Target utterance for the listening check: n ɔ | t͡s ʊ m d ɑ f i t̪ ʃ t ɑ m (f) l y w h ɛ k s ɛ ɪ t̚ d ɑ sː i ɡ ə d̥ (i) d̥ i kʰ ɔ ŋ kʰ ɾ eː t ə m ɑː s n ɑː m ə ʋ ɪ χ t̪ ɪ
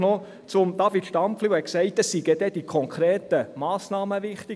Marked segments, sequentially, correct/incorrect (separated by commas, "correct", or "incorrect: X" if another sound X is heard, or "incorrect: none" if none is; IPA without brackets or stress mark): correct, incorrect: ɛ